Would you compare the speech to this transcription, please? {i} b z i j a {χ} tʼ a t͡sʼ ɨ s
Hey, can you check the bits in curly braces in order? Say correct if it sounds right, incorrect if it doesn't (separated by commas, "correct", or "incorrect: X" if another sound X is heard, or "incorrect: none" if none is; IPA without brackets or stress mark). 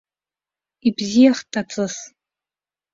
correct, correct